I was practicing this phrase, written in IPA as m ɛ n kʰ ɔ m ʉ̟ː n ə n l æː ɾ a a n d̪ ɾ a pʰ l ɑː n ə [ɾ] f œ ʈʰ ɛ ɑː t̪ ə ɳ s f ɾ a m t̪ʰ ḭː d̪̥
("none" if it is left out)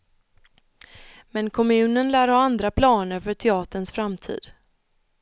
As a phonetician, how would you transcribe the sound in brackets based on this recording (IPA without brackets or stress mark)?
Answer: ɾ